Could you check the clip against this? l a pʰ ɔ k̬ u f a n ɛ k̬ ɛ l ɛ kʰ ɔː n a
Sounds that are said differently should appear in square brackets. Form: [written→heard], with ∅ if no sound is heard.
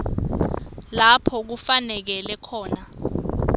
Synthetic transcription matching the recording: l a pʰ ɔ k̬ u f a n ɛ k̬ ɛ l ɛ kʰ ɔː n a